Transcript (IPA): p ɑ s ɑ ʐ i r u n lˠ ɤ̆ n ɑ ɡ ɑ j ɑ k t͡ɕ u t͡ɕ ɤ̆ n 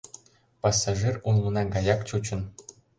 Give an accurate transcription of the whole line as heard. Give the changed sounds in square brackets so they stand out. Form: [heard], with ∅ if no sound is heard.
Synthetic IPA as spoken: p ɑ s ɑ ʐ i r u n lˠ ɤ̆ n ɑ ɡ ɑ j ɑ k t͡ɕ u t͡ɕ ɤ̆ n